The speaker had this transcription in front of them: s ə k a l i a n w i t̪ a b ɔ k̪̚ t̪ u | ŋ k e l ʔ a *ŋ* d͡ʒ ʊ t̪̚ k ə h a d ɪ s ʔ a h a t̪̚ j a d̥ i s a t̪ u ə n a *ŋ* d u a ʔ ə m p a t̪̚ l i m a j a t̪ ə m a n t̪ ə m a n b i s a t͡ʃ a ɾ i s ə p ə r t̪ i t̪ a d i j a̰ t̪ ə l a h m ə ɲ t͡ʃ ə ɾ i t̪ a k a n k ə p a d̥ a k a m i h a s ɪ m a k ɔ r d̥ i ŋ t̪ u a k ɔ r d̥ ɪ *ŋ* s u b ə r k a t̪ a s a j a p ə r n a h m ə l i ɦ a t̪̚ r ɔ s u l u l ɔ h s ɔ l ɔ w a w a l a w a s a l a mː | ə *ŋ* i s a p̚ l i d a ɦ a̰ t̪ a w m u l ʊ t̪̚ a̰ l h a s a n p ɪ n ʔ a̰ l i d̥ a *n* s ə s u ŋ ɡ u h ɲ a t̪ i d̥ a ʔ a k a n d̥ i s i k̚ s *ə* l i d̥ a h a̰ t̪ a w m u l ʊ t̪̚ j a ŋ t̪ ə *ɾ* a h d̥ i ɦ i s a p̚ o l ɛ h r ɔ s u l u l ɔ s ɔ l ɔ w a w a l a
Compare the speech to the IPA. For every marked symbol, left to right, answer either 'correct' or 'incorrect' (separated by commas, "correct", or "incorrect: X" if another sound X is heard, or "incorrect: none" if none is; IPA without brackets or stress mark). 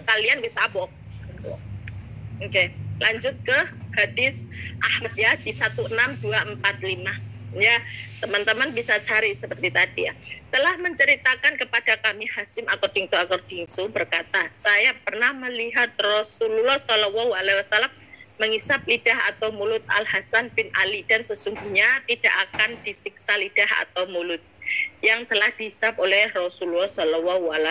incorrect: ɲ, incorrect: m, correct, correct, correct, incorrect: a, incorrect: l